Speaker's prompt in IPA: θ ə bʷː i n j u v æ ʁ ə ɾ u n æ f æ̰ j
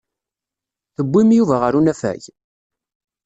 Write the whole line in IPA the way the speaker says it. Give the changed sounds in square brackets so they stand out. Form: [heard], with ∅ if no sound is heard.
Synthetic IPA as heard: θ ə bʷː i [m] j u v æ ʁ ə ɾ u n æ f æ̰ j